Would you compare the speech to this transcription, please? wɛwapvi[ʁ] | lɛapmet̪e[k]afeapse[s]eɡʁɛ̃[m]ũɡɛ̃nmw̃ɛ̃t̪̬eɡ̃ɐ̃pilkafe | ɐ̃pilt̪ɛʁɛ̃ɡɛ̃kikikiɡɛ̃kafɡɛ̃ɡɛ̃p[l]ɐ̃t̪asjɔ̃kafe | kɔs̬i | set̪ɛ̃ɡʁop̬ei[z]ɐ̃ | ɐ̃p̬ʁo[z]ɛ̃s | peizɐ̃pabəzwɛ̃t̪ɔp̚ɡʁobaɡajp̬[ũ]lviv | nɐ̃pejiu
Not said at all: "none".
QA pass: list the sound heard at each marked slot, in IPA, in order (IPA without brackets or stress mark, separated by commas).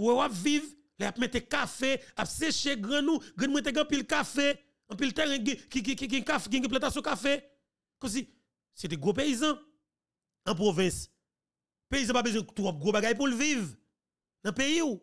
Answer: v, k, ʃ, n, l, z, v, u